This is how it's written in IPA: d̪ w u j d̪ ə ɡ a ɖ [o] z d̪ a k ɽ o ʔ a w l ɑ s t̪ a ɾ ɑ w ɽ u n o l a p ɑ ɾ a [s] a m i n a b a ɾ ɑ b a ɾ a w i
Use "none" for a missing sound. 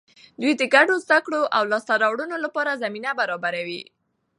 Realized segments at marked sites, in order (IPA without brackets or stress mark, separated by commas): o, z